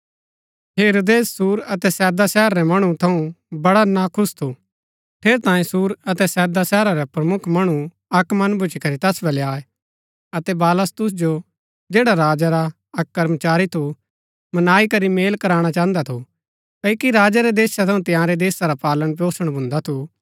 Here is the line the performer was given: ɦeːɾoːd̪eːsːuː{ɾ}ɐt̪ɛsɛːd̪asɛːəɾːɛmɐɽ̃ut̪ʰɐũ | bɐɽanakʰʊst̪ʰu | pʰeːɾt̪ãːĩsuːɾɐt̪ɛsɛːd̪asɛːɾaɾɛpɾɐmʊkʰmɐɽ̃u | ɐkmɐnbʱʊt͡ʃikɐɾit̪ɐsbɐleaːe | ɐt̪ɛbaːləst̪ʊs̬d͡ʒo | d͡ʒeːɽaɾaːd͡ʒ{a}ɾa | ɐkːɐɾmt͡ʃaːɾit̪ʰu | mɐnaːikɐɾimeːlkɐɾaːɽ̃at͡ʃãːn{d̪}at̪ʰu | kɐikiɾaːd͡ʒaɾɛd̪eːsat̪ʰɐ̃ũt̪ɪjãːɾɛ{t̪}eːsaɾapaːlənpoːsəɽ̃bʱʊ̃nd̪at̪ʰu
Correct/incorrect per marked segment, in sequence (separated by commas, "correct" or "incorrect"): correct, correct, correct, incorrect